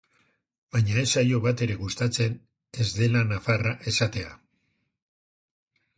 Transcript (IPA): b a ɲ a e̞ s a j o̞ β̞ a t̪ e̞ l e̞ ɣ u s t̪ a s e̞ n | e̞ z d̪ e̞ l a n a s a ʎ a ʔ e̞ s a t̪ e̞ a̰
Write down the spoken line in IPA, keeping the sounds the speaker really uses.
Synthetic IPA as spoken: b a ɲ a e̞ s a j o̞ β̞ a t̪ e̞ ɾ e̞ ɣ u s t̪ a t͡s e̞ n | e̞ z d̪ e̞ l a n a f a r a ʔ e̞ s a t̪ e̞ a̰